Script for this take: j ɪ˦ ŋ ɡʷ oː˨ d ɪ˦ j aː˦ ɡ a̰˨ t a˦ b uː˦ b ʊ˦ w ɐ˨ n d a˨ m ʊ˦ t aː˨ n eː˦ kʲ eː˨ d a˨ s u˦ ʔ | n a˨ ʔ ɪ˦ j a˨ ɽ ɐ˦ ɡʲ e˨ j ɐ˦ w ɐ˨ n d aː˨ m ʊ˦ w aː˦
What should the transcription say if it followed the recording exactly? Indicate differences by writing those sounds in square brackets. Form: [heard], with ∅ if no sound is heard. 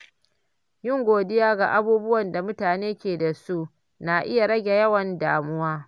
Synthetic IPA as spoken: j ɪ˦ ŋ ɡʷ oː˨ d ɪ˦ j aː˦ ɡ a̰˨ [ʔ] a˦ b uː˦ b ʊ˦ w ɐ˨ n d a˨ m ʊ˦ t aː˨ n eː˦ kʲ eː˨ d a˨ s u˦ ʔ | n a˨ ʔ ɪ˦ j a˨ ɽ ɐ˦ ɡʲ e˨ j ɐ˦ w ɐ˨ n d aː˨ m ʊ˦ w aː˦